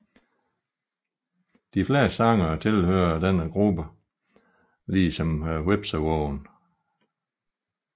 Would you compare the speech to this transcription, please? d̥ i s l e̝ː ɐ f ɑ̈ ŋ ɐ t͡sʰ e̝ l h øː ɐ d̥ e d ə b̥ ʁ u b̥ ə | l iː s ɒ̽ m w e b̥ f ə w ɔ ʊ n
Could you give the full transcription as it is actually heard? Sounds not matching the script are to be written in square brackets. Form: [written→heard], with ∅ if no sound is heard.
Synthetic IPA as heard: d̥ i [s→f] l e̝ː ɐ [f→s] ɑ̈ ŋ ɐ t͡sʰ e̝ l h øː ɐ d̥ e [d→n] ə [b̥→ɡ̥] ʁ u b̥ ə | l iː s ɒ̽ m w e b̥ [f→s] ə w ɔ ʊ n